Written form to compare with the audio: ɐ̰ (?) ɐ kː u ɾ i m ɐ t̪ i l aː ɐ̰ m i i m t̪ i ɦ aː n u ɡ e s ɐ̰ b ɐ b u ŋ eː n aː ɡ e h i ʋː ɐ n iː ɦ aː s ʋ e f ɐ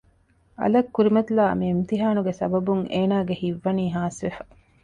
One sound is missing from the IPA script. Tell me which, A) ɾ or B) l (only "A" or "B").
B